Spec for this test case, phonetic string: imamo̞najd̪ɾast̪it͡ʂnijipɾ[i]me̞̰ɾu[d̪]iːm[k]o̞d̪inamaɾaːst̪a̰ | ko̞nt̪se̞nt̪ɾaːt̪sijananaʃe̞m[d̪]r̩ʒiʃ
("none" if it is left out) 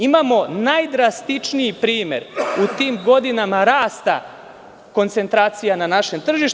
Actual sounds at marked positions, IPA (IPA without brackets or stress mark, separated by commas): iː, t̪, ɡ, t̪